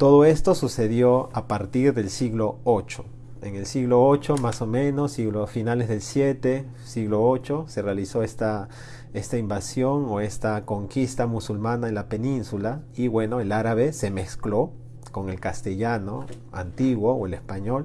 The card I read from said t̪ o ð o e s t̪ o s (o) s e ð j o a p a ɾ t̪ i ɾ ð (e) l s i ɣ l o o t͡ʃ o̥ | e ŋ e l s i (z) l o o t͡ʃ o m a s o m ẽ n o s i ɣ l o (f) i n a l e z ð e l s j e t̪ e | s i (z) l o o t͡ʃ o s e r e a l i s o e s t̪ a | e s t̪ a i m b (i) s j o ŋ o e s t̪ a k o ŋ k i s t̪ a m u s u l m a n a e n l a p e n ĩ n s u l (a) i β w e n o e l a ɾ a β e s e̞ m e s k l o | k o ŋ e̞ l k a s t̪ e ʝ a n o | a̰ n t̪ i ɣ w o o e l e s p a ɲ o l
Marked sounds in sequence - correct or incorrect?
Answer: incorrect, correct, incorrect, correct, incorrect, incorrect, correct

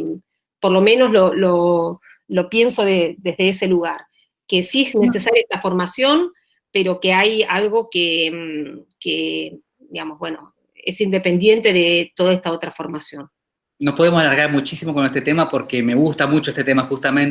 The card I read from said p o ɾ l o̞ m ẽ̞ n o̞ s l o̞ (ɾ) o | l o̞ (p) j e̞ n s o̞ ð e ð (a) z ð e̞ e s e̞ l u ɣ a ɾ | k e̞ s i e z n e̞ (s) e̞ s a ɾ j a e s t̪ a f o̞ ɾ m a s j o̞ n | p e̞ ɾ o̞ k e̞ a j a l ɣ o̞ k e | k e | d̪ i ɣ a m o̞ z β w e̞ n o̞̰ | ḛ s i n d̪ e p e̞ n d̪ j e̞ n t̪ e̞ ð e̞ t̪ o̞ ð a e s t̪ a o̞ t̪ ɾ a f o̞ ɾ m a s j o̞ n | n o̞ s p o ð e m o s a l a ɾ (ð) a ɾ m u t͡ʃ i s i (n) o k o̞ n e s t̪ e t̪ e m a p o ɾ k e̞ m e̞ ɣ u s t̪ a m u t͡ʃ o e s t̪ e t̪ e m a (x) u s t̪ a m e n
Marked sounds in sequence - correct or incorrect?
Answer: incorrect, correct, incorrect, correct, incorrect, incorrect, correct

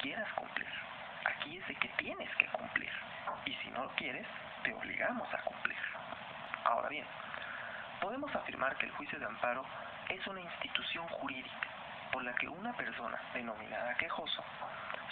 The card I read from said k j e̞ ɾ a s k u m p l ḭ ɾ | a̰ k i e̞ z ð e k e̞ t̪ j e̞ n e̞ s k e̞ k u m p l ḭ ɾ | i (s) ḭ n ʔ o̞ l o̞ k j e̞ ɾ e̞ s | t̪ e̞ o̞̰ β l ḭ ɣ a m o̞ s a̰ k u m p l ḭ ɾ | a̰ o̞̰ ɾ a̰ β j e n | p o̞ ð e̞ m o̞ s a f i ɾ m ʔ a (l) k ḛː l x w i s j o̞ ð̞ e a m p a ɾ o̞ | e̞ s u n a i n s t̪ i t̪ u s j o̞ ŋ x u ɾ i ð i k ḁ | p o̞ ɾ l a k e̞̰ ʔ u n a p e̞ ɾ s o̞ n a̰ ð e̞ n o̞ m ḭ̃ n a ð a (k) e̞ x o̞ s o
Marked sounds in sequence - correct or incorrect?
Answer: correct, incorrect, correct

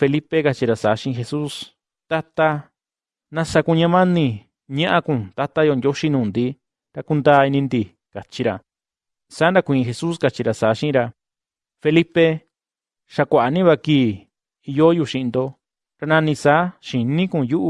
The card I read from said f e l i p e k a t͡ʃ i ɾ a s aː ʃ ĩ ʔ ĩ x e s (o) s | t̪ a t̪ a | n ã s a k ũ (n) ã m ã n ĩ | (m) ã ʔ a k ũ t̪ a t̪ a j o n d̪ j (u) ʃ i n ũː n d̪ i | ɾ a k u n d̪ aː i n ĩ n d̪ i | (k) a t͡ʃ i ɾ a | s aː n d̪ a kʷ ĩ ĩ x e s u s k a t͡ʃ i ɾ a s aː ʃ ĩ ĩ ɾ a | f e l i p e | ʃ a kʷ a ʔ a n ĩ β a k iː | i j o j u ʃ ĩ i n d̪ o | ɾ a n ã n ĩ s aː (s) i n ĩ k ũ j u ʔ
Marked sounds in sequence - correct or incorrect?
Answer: incorrect, incorrect, incorrect, incorrect, correct, incorrect

